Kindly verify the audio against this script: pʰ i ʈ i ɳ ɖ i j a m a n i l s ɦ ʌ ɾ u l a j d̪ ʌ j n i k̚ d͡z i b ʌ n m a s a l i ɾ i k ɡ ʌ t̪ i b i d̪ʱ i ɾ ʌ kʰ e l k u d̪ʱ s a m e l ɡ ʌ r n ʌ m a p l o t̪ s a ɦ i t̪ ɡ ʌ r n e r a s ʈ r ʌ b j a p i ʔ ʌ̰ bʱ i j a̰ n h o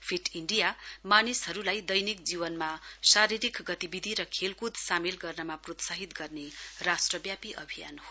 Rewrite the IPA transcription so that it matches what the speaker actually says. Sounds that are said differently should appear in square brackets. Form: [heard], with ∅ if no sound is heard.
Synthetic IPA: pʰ i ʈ i ɳ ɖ i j a m a n i [∅] s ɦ ʌ ɾ u l a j d̪ ʌ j n i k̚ d͡z i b ʌ n m a s a [ɾ] i ɾ i k ɡ ʌ t̪ i b i d̪ʱ i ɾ ʌ kʰ e l k u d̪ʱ s a m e l ɡ ʌ r n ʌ m a p [r] o t̪ s a ɦ i t̪ ɡ ʌ r n e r a s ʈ r ʌ b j a p i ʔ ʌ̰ bʱ i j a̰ n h o